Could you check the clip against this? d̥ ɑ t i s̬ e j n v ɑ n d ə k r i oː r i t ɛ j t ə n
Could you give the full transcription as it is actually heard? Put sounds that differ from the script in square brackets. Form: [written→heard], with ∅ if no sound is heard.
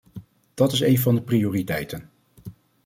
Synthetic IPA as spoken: d̥ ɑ t [i→ɪ] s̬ e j n v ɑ n d ə [k→p] r i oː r i t ɛ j t ə n